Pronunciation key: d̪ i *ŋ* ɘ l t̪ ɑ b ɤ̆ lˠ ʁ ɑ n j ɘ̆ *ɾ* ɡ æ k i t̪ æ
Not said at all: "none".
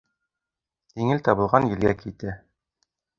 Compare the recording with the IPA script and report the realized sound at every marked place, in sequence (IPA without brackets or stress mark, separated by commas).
ŋ, l